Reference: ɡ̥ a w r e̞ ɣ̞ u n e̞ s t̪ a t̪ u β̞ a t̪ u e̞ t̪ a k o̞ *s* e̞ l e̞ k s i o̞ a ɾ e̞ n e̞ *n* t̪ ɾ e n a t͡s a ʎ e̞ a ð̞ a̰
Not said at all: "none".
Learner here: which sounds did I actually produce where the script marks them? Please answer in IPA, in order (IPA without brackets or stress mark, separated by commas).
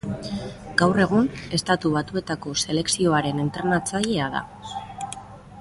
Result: s, n